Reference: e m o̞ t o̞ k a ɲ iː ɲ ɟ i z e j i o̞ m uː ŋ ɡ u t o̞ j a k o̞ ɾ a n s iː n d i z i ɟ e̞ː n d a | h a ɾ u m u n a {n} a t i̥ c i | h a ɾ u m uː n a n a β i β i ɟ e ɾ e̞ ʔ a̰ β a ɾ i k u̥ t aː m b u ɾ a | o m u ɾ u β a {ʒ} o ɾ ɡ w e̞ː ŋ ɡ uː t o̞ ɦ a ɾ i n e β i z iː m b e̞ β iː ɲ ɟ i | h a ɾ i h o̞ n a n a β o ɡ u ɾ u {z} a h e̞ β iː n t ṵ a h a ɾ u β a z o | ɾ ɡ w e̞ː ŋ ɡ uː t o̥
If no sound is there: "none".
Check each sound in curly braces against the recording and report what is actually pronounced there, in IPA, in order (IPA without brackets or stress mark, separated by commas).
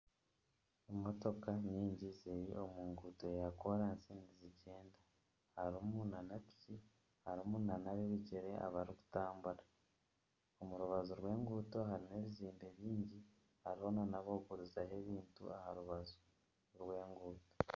n, z, z